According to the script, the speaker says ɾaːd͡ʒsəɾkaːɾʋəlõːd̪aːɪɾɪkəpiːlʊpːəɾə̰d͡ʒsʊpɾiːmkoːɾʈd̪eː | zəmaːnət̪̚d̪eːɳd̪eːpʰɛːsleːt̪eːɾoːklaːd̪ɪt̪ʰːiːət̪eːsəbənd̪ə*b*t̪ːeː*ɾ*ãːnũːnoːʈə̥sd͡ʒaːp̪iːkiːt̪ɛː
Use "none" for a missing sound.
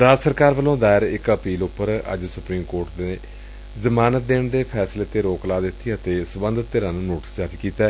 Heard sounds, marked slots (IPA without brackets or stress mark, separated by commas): none, ɾ